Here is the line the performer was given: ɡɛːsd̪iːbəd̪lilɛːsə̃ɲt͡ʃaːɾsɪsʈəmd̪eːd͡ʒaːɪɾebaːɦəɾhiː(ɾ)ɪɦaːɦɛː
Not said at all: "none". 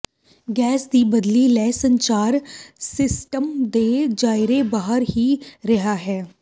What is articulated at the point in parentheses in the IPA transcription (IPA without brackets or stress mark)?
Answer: ɾ